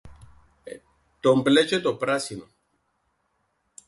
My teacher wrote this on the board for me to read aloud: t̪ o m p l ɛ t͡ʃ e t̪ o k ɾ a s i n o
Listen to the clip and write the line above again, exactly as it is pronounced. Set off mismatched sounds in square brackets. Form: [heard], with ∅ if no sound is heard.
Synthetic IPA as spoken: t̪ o m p l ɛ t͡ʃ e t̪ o [p] ɾ a s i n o